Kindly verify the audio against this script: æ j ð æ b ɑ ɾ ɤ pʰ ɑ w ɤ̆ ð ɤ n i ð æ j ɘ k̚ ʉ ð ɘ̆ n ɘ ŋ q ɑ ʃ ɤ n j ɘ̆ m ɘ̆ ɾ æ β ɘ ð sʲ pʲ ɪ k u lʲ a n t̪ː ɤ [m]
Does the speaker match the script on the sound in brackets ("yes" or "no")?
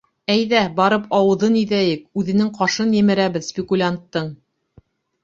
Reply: no